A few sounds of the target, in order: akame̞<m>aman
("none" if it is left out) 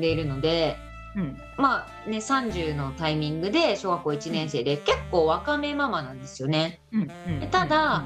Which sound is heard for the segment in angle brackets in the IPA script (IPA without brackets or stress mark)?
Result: m